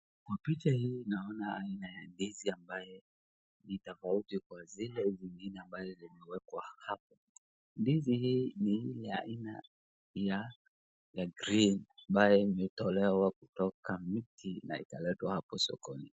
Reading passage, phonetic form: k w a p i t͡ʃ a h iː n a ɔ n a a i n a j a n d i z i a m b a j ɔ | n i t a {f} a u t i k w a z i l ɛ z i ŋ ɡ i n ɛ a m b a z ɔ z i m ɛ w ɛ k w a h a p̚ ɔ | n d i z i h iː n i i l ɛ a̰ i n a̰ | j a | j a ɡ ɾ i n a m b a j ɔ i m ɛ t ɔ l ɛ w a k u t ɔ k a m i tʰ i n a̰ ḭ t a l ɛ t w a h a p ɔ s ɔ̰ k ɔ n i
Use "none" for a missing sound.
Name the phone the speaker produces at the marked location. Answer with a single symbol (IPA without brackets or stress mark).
f